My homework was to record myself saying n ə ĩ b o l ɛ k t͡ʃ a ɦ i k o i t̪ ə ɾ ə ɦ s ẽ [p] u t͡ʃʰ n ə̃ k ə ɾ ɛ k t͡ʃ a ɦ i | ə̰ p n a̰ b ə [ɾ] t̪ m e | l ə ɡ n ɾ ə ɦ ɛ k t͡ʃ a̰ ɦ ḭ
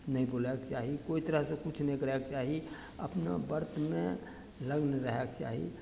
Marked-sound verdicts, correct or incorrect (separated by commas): incorrect, correct